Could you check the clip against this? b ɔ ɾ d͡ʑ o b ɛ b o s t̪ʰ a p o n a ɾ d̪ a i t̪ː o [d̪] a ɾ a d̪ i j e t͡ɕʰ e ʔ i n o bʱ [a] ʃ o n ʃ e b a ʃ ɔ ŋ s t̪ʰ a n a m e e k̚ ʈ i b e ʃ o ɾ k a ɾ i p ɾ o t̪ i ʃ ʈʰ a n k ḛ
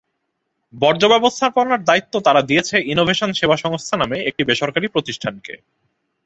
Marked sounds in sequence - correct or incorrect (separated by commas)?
incorrect, incorrect